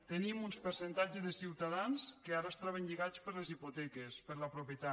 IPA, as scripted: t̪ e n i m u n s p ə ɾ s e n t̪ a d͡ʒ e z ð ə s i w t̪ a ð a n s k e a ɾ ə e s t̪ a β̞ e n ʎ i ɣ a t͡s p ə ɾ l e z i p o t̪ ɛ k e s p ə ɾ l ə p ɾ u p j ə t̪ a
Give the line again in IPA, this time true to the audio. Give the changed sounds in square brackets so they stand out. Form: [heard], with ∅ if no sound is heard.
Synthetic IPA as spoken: t̪ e n i m u n s p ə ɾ s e n t̪ a d͡ʒ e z ð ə s i w t̪ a ð a n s k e a ɾ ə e s t̪ a β̞ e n ʎ i ɣ a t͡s p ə ɾ l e z i p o t̪ ɛ k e s p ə ɾ l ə p ɾ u p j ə t̪ a